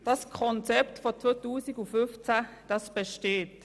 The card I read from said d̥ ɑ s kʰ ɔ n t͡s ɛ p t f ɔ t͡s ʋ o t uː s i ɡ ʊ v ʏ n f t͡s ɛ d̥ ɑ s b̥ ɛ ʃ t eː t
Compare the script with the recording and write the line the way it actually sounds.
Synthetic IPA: d̥ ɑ s kʰ ɔ n t͡s ɛ p t f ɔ t͡s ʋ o t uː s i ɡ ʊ f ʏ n f t͡s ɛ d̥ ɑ s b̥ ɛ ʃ t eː t